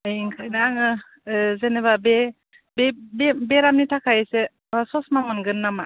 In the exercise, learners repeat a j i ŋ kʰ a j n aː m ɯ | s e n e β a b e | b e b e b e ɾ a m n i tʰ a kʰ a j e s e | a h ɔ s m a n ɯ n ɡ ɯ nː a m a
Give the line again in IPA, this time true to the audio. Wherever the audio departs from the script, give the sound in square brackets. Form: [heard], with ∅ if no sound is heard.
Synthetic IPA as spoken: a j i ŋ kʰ a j n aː [ŋ] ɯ | [z] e n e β a b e | b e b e b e ɾ a m n i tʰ a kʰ a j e s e | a [s] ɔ s m a [m] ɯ n ɡ ɯ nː a m a